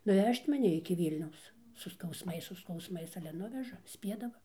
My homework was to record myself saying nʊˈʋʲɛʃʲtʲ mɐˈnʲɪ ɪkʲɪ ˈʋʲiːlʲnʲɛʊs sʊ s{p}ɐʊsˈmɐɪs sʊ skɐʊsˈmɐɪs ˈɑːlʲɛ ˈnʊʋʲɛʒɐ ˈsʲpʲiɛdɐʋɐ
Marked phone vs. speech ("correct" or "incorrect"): incorrect